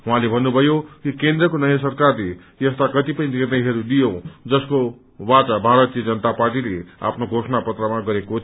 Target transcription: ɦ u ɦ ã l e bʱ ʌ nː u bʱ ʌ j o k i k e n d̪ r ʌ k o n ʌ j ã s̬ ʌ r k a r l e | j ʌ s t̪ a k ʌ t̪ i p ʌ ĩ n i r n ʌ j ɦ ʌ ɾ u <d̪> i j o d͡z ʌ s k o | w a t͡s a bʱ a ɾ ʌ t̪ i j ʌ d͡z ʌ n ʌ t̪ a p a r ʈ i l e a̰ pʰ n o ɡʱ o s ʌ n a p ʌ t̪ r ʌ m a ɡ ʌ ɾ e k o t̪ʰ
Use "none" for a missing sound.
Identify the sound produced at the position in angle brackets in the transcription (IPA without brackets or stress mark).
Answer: d̪